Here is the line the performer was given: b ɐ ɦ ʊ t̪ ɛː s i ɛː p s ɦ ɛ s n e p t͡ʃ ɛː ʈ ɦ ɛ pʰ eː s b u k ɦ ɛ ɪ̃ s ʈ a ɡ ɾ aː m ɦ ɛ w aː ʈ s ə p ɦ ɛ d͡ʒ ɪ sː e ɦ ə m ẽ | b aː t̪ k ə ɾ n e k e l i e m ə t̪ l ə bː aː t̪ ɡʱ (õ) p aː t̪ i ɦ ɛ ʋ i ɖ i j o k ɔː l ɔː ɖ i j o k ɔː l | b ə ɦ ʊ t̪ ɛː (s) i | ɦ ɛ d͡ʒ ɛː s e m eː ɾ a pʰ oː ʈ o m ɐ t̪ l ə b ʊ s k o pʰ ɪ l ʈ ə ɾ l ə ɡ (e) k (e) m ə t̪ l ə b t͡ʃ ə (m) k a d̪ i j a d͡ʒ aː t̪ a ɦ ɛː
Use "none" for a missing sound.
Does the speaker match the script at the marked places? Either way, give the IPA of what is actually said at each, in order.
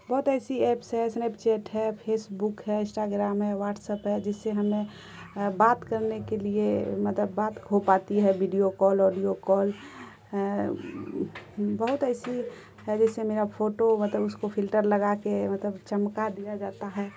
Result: o, s, a, e, m

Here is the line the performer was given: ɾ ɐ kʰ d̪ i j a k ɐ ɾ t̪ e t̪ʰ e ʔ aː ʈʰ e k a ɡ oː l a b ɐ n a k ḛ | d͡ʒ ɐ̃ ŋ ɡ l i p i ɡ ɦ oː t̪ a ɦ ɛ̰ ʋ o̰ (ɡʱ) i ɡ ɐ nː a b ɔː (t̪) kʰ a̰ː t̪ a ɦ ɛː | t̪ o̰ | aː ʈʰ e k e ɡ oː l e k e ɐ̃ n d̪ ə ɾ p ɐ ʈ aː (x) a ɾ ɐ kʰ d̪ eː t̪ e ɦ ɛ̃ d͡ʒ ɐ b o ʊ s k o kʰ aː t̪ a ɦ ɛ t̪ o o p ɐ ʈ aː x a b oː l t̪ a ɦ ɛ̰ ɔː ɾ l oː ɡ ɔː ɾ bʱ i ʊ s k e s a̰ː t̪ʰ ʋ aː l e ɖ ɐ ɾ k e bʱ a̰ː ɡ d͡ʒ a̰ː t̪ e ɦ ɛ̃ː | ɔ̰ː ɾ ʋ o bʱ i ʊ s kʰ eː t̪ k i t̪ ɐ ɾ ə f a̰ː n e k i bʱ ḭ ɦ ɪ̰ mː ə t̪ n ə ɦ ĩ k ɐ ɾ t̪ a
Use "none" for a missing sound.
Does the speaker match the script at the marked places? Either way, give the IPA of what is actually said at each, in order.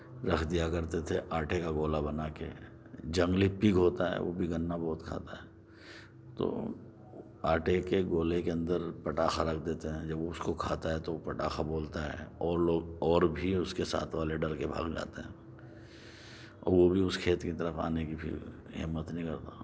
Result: bʱ, t̪, x

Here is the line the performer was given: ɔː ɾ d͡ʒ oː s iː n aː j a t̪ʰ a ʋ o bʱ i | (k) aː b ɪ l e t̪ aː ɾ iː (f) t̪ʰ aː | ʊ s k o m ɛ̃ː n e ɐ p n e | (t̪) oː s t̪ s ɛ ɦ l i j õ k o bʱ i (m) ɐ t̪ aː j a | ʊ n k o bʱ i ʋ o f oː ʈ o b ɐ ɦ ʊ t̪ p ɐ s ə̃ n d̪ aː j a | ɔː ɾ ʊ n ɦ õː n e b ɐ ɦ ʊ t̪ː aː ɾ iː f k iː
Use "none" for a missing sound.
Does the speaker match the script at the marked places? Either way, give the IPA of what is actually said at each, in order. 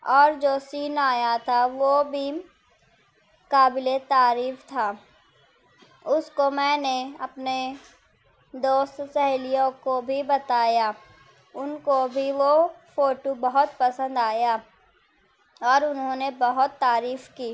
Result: k, f, d̪, b

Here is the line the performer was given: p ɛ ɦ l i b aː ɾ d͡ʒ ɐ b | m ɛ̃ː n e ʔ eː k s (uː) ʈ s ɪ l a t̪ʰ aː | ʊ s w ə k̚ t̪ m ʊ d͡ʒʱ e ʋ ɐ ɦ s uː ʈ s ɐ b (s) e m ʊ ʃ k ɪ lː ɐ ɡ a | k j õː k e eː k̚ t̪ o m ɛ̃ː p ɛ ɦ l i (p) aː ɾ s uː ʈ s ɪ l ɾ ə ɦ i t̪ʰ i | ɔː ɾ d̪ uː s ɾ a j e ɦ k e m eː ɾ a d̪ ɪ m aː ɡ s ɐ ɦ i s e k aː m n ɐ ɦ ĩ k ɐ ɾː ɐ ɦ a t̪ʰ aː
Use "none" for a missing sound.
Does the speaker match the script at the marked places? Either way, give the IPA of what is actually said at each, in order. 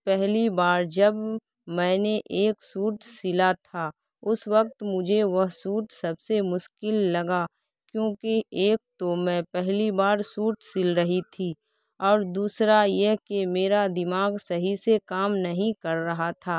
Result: uː, s, b

